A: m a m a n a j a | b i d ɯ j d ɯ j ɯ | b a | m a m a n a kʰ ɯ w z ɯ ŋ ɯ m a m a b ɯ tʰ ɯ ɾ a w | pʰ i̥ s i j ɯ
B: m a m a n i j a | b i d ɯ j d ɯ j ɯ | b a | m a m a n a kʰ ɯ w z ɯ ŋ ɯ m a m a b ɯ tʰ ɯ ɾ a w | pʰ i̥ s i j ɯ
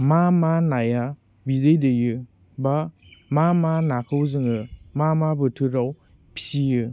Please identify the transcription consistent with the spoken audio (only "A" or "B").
A